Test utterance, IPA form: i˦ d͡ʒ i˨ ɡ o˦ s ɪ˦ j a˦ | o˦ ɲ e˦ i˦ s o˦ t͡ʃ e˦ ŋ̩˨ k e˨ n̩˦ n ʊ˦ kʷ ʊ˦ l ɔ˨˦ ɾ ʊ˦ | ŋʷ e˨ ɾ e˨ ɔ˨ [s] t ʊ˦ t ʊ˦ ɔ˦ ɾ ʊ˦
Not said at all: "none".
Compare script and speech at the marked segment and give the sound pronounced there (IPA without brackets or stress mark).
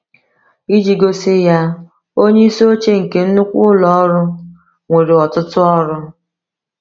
none